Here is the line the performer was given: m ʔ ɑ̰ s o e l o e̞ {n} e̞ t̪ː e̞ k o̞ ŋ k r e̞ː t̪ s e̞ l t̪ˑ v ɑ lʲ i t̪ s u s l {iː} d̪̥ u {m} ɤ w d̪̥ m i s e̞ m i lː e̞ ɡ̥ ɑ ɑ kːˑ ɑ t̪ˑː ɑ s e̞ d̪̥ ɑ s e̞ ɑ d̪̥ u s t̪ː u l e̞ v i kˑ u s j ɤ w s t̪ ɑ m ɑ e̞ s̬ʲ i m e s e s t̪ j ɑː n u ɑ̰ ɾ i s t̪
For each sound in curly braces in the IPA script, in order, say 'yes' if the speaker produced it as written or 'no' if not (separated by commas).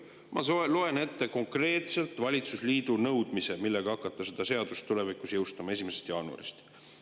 yes, yes, no